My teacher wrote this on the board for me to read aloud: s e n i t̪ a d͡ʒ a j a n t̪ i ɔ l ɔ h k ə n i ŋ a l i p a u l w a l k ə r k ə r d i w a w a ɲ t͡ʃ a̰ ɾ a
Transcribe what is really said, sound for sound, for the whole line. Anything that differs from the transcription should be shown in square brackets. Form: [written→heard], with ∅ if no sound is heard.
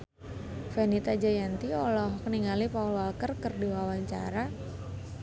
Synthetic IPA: [s→f] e n i t̪ a d͡ʒ a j a n t̪ i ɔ l ɔ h k ə n i ŋ a l i p a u l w a l k ə r k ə r d i w a w a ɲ t͡ʃ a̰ ɾ a